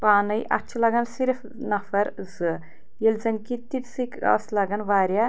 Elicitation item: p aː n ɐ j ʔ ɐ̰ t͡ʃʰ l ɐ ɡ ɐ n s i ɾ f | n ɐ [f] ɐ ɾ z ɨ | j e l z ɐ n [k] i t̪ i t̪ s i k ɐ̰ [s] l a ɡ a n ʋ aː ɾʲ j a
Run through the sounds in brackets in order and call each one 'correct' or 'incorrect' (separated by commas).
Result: correct, correct, correct